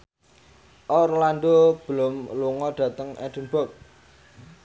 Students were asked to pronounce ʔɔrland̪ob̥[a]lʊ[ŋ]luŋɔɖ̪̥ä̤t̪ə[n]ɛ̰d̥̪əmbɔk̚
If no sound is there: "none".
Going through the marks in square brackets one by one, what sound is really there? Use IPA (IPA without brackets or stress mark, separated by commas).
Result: ə, m, ŋ